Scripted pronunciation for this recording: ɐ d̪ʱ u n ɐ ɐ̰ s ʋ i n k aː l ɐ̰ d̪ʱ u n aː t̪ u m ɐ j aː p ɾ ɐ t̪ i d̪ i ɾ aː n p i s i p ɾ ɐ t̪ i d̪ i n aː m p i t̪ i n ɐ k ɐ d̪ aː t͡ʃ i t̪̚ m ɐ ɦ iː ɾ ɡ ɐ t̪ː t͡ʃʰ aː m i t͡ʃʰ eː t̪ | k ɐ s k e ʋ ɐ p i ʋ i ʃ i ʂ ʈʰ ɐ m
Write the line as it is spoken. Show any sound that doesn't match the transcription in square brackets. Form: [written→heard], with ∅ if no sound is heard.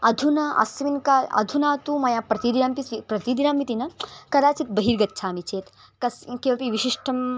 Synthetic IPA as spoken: ɐ d̪ʱ u n ɐ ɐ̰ s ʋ i n k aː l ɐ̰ d̪ʱ u n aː t̪ u m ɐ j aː p ɾ ɐ t̪ i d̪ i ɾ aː [n→m] p i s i p ɾ ɐ t̪ i d̪ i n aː m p i t̪ i n ɐ k ɐ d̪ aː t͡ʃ i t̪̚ [m→b] ɐ ɦ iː ɾ ɡ ɐ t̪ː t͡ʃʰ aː m i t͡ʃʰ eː t̪ | k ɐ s k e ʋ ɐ p i ʋ i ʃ i ʂ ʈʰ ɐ m